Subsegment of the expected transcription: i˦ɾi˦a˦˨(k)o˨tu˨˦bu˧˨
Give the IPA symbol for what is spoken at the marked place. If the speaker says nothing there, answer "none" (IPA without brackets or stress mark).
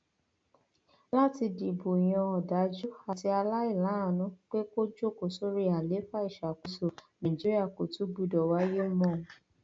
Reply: k